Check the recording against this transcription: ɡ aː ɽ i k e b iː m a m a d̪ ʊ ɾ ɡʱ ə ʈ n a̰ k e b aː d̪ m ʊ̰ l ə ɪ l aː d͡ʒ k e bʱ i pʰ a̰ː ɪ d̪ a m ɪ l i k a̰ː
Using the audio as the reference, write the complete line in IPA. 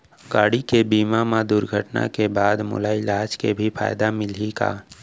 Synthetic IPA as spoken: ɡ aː ɽ i k e b iː m a m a d̪ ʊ ɾ ɡʱ ə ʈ n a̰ k e b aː d̪ m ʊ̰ l a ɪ l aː d͡ʒ k e bʱ i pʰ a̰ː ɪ d̪ a m ɪ l i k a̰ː